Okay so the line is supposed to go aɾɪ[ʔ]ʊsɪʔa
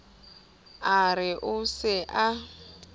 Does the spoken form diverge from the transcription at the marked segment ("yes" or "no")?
no